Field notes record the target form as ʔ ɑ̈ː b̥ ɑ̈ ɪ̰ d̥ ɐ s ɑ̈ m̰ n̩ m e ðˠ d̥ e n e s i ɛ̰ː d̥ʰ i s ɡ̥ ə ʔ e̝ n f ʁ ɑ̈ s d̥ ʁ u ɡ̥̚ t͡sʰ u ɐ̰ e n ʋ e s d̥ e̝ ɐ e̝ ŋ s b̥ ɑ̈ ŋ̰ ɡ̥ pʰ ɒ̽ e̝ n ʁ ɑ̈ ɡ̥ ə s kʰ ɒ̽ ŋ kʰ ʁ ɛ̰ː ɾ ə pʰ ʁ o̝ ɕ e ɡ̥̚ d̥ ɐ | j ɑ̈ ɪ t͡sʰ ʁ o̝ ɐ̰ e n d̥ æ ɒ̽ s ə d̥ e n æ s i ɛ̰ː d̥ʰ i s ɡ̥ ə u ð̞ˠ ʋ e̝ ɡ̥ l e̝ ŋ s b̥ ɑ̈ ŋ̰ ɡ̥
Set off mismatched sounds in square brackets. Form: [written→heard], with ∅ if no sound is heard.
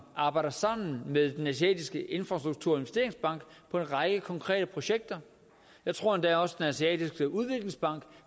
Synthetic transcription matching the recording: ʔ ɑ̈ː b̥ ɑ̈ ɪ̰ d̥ ɐ s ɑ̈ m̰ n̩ m e ðˠ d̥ e n [e→æ] s i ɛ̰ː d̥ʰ i s ɡ̥ ə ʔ e̝ n f ʁ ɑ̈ s d̥ ʁ u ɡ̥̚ t͡sʰ u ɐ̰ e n ʋ e s d̥ e̝ ɐ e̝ ŋ s b̥ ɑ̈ ŋ̰ ɡ̥ pʰ ɒ̽ e̝ n ʁ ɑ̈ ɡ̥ ə [s→∅] kʰ ɒ̽ ŋ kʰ ʁ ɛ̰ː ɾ ə pʰ ʁ o̝ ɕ e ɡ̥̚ d̥ ɐ | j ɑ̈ ɪ t͡sʰ ʁ o̝ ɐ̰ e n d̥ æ ɒ̽ s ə d̥ e n æ s i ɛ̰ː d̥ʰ i s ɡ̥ ə u ð̞ˠ ʋ e̝ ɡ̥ l e̝ ŋ s b̥ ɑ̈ ŋ̰ ɡ̥